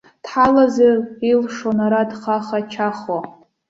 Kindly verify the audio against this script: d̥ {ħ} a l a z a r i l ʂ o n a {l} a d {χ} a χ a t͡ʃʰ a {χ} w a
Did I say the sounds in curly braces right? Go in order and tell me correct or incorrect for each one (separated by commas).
correct, incorrect, correct, correct